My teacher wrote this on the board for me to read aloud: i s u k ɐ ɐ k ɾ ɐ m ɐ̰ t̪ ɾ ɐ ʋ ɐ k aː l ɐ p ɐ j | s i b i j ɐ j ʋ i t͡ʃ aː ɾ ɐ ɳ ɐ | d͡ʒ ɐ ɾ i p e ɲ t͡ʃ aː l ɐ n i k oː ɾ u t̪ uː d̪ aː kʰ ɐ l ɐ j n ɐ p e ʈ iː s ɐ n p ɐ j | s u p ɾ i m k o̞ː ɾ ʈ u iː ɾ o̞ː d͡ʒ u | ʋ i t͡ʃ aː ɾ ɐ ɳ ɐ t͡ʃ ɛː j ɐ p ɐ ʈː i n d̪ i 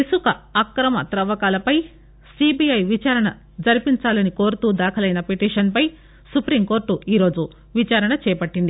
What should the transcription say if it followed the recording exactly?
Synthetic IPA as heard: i s u k ɐ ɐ k ɾ ɐ m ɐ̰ t̪ ɾ ɐ ʋ ɐ k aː l ɐ p ɐ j | s i b i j ɐ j ʋ i t͡ʃ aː ɾ ɐ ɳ ɐ | d͡ʒ ɐ ɾ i p i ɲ t͡ʃ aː l ɐ n i k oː ɾ u t̪ uː d̪ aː kʰ ɐ l ɐ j n ɐ p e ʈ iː ʂ ɐ n p ɐ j | s u p ɾ i m k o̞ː ɾ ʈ u iː ɾ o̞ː d͡ʒ u | ʋ i t͡ʃ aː ɾ ɐ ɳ ɐ t͡ʃ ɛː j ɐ p ɐ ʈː i n d̪ i